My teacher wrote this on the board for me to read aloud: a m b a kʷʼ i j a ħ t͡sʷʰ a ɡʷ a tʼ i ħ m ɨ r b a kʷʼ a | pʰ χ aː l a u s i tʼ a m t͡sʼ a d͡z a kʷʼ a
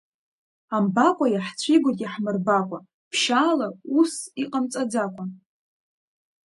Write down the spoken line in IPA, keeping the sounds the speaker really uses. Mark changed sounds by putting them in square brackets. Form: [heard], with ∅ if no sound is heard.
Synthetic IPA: a m b a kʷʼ [a] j a ħ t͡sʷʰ [i] ɡʷ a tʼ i ħ m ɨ r b a kʷʼ a | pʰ [ʃ] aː l a u s i [qʼ] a m t͡sʼ a d͡z a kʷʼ a